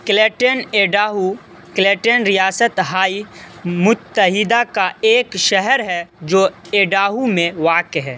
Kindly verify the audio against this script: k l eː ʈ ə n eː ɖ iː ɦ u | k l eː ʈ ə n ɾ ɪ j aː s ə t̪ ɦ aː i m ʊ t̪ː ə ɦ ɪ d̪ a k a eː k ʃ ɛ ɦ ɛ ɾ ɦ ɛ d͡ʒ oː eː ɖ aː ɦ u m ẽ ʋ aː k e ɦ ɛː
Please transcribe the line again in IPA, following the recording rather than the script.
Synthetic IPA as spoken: k l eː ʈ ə n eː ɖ aː ɦ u | k l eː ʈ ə n ɾ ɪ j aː s ə t̪ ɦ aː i m ʊ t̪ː ə ɦ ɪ d̪ a k a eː k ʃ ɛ ɦ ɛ ɾ ɦ ɛ d͡ʒ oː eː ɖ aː ɦ u m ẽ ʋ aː k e ɦ ɛː